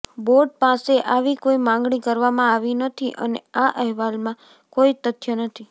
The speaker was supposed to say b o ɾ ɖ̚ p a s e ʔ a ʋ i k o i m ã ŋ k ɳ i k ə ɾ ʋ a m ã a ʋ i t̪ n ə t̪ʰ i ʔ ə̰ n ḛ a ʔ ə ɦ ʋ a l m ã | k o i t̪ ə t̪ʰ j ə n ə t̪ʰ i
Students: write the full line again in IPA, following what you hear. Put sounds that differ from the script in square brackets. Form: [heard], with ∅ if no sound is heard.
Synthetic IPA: b o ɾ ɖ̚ p a s e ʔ a ʋ i k o i m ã ŋ [ɡ] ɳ i k ə ɾ ʋ a m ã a ʋ i [∅] n ə t̪ʰ i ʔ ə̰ n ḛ a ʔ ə ɦ ʋ a l m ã | k o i t̪ ə t̪ʰ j ə n ə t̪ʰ i

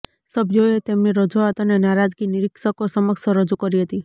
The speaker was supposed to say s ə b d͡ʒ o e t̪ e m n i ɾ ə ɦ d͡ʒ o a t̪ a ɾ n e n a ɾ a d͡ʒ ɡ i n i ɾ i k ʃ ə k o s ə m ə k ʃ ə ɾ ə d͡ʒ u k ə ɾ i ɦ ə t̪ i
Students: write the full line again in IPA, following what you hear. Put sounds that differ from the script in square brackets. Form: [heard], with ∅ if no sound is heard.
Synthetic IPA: s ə b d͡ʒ o e t̪ e m n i ɾ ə [∅] d͡ʒ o a t̪ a [∅] n e n a ɾ a d͡ʒ ɡ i n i ɾ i k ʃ ə k o s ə m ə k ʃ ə ɾ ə d͡ʒ u k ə ɾ i ɦ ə t̪ i

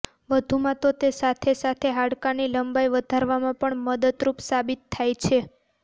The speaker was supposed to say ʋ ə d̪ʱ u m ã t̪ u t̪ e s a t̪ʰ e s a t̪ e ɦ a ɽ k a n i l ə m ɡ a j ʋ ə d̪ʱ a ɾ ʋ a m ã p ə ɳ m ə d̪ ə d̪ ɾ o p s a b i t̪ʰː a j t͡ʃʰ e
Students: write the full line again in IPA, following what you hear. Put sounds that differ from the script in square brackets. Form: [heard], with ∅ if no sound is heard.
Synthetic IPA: ʋ ə d̪ʱ u m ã t̪ [o] t̪ e s a t̪ʰ e s a [t̪ʰ] e ɦ a ɽ k a n i l ə m [b] a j ʋ ə d̪ʱ a ɾ ʋ a m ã p ə ɳ m ə d̪ ə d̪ ɾ [u] p s a b i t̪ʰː a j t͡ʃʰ e

